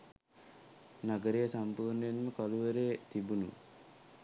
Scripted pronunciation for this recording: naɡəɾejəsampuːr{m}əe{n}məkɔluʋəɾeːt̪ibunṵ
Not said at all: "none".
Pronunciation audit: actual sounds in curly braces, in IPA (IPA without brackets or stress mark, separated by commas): n, n